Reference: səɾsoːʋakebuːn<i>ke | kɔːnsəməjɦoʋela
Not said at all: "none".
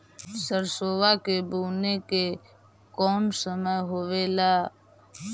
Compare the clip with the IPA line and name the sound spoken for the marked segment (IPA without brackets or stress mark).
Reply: e